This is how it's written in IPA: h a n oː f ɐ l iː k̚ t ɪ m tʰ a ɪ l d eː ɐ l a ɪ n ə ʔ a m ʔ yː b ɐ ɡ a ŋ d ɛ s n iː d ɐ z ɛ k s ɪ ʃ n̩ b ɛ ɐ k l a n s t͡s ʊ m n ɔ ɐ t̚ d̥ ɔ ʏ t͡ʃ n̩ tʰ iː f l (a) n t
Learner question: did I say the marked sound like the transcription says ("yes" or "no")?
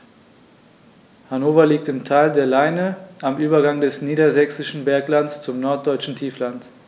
yes